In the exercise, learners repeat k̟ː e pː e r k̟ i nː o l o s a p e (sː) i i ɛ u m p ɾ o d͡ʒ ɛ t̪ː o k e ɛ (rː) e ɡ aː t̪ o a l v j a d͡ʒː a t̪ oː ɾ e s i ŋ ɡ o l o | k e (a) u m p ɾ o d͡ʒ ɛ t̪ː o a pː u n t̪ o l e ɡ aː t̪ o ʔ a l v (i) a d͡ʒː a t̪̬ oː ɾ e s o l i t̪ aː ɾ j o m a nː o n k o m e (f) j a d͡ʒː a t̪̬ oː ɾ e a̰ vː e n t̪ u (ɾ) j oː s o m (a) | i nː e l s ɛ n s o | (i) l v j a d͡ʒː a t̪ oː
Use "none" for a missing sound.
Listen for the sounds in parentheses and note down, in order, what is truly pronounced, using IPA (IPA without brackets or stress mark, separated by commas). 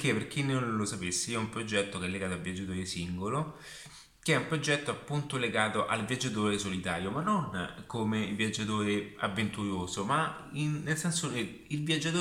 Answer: sː, lː, ɛ, j, v, ɾ, a, i